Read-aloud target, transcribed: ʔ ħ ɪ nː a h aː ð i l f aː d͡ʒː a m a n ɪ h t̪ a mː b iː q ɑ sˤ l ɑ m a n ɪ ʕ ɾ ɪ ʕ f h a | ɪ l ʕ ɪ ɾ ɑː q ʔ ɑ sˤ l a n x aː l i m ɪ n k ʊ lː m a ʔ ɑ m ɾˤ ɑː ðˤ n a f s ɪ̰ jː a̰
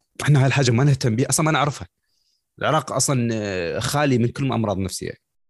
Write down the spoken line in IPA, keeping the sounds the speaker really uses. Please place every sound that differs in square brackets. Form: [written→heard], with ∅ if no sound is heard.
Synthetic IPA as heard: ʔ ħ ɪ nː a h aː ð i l [f→ħ] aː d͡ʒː a m a n ɪ h t̪ a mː b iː [q→ʔ] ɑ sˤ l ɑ m a n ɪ ʕ ɾ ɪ [ʕ→∅] f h a | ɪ l ʕ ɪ ɾ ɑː q ʔ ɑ sˤ l [a→ɑ] n x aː l i m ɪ n k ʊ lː m a ʔ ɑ m ɾˤ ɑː ðˤ n a f s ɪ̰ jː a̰